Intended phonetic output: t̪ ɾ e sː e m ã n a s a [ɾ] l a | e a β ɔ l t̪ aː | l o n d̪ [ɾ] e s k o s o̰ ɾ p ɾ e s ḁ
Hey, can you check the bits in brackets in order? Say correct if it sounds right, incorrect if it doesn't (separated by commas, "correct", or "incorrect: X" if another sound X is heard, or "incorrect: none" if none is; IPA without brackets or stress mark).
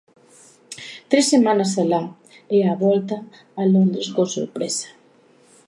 incorrect: none, correct